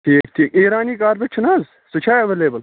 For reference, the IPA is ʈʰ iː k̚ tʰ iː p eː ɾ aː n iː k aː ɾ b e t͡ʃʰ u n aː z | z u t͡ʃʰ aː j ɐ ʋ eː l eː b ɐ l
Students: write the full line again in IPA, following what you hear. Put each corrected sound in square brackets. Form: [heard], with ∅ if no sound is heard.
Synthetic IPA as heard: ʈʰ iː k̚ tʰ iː [k] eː ɾ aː n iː k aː ɾ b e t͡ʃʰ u n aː z | [s] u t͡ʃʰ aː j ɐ ʋ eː l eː b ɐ l